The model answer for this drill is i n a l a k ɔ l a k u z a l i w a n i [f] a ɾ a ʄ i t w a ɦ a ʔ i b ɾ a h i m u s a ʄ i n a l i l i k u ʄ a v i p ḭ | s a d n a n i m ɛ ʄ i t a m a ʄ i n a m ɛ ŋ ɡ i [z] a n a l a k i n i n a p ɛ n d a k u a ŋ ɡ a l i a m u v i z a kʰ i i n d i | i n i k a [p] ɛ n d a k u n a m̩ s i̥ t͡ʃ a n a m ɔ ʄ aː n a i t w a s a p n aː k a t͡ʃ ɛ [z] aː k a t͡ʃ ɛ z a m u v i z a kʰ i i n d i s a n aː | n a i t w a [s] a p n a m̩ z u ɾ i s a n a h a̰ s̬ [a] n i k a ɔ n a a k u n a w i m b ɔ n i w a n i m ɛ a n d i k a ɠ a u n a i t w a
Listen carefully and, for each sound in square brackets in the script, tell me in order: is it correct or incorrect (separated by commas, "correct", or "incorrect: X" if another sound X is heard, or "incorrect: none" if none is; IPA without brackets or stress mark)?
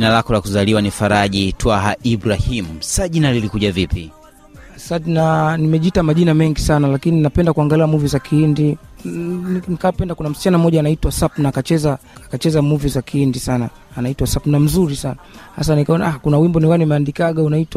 correct, incorrect: s, correct, correct, correct, correct